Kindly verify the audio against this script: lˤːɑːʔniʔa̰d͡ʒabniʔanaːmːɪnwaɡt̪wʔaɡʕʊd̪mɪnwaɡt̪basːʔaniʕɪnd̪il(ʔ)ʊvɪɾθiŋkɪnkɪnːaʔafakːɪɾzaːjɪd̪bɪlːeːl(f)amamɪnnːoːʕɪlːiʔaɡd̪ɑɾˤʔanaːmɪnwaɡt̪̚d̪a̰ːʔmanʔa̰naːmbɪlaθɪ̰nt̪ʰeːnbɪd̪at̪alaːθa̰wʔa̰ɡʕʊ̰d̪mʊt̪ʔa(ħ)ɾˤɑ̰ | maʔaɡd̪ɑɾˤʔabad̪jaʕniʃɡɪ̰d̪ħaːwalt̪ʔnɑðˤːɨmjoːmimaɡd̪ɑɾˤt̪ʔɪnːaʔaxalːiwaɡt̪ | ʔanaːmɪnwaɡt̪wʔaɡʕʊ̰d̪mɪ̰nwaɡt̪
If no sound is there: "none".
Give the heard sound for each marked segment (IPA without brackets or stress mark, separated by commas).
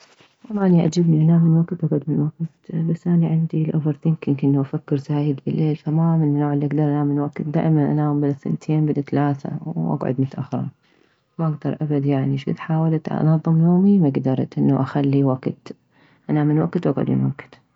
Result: ʔ, f, x